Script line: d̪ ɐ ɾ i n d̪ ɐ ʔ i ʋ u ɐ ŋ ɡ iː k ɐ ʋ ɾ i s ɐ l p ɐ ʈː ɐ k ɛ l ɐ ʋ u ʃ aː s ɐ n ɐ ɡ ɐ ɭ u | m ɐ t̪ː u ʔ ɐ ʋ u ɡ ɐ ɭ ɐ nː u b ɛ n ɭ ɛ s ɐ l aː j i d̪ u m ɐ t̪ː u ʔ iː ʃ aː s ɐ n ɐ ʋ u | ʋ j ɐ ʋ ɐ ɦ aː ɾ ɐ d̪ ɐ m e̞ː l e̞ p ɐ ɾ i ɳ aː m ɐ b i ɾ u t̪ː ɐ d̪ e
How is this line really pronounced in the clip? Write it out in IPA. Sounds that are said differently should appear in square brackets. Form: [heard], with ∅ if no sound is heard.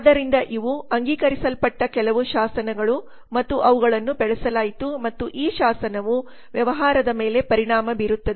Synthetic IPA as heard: d̪ ɐ ɾ i n d̪ ɐ ʔ i ʋ u ɐ ŋ ɡ iː k ɐ [∅] ɾ i s ɐ l p ɐ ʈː ɐ k ɛ l ɐ ʋ u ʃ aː s ɐ n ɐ ɡ ɐ ɭ u | m ɐ t̪ː u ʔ ɐ ʋ u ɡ ɐ ɭ ɐ nː u b ɛ [∅] ɭ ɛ s ɐ l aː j i [t̪] u m ɐ t̪ː u ʔ iː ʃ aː s ɐ n ɐ ʋ u | ʋ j ɐ ʋ ɐ ɦ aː ɾ ɐ d̪ ɐ m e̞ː l e̞ p ɐ ɾ i ɳ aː m ɐ b i ɾ u t̪ː ɐ d̪ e